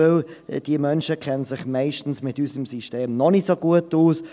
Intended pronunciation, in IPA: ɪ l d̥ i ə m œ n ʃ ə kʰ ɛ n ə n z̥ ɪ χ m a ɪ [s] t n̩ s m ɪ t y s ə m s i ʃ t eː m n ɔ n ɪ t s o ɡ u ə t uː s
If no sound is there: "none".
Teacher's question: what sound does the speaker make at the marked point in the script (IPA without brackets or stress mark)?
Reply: ʃ